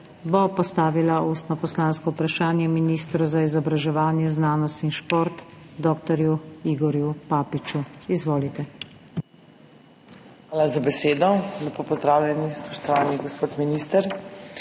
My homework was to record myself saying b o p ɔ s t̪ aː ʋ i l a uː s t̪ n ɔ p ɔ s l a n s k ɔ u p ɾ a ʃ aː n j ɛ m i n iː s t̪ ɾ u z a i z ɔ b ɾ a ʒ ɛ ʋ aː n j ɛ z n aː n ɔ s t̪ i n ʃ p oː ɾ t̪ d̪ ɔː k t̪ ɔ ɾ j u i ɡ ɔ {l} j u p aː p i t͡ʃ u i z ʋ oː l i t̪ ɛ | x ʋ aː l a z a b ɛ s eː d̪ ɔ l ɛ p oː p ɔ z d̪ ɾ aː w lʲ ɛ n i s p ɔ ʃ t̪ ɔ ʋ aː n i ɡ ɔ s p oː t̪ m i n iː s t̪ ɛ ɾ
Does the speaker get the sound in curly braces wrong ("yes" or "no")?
yes